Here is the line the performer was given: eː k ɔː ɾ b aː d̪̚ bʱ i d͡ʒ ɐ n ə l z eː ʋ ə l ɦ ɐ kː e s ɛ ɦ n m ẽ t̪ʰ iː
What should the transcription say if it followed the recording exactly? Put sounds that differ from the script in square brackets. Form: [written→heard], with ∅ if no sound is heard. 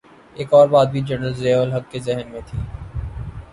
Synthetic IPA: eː k ɔː ɾ b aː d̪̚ bʱ i d͡ʒ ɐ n ə l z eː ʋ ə l ɦ ɐ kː e [s→z] ɛ ɦ n m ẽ t̪ʰ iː